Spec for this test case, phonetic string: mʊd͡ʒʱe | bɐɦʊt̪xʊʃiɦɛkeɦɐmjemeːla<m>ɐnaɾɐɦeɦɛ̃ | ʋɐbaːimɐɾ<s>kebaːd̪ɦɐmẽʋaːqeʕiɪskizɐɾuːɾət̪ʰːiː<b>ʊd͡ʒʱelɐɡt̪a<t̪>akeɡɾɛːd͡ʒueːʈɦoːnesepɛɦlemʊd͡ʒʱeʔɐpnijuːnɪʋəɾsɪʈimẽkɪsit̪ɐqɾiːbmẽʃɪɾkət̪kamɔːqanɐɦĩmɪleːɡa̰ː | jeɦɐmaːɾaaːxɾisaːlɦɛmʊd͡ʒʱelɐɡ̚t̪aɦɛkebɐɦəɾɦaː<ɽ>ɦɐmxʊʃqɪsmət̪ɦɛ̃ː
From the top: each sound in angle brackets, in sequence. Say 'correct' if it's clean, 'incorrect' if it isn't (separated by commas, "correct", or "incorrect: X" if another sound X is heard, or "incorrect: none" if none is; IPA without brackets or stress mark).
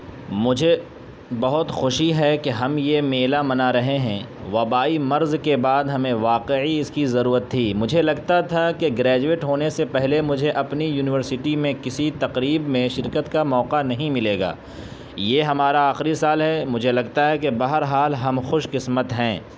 correct, incorrect: z, incorrect: m, incorrect: t̪ʰ, incorrect: l